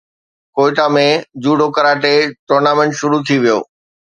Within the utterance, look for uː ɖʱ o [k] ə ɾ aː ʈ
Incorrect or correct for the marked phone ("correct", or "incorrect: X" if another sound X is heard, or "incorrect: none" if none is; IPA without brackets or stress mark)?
correct